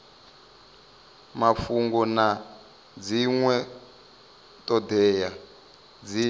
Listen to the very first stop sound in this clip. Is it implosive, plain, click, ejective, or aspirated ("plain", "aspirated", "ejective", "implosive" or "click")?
plain